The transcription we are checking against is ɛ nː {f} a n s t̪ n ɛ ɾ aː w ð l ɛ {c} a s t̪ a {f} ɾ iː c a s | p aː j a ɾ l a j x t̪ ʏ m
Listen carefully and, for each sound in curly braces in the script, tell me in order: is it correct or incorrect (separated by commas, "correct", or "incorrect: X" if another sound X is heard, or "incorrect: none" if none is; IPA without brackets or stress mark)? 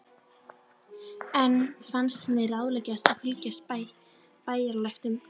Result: correct, correct, correct